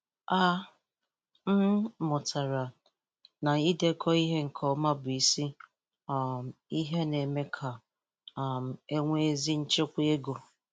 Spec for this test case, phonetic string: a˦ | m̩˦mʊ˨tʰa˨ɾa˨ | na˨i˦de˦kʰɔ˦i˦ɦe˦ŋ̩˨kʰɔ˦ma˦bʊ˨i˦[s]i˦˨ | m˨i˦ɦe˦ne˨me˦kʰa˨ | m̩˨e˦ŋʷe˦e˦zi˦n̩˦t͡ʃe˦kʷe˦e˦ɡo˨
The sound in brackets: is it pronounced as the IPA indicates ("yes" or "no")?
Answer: yes